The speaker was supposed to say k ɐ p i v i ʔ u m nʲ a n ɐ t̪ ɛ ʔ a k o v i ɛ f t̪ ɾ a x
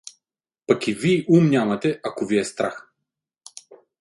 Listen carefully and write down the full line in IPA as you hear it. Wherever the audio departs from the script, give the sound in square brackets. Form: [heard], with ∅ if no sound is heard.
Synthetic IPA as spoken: [p] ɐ [k] i v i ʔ u m nʲ a [m] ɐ t̪ ɛ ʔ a k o v i ɛ [s] t̪ ɾ a x